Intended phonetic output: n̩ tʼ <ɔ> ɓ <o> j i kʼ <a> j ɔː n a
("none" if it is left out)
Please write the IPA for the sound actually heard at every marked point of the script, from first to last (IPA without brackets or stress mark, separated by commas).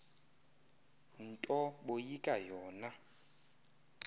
ɔ, o, a